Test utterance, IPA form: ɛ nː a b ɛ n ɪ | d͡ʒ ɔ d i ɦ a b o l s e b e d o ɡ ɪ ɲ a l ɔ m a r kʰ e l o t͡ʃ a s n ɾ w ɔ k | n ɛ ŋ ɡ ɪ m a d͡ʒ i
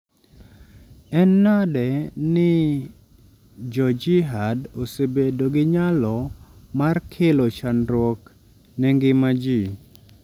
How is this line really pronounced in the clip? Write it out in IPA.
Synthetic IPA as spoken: ɛ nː a d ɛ n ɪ | d͡ʒ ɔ d͡ʒ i ɦ a d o s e b e d o ɡ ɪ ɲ a l ɔ m a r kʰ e l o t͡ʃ a n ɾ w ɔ k | n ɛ ŋ ɡ ɪ m a d͡ʒ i